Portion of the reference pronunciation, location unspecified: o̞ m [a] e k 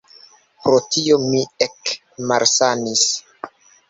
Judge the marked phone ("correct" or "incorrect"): incorrect